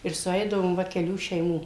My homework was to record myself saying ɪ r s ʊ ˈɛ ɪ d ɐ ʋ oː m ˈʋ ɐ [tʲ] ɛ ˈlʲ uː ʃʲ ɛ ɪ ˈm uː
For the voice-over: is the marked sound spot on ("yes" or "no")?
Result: no